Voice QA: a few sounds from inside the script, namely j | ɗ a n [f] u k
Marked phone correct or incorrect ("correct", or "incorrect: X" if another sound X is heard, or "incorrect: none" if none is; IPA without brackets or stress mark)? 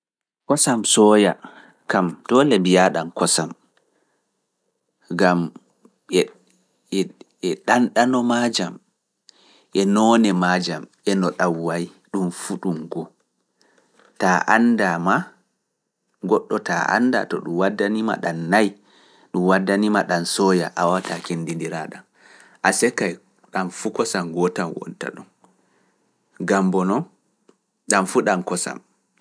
correct